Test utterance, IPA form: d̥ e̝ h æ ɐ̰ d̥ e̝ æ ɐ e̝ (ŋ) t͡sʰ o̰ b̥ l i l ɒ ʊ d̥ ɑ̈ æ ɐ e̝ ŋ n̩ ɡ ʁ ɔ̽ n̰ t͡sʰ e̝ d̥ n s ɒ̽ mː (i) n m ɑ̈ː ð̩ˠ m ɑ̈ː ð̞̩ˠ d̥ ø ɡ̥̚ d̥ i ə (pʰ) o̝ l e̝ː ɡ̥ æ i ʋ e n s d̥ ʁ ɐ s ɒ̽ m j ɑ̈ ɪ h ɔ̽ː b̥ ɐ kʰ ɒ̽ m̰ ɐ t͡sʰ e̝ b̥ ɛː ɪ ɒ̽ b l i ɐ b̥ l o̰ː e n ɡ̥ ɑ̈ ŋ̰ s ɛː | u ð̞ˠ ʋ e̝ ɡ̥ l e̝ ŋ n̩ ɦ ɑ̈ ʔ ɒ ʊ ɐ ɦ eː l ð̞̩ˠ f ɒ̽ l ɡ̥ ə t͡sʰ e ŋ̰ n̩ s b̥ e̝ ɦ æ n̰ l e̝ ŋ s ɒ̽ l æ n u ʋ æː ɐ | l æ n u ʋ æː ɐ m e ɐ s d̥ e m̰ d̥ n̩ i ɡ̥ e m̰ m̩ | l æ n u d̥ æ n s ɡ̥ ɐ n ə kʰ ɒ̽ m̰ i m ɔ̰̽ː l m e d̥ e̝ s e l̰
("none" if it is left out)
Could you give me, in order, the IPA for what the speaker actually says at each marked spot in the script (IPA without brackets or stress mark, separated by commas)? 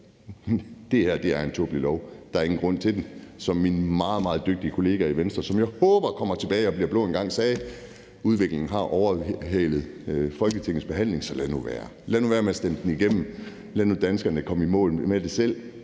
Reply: n, i, kʰ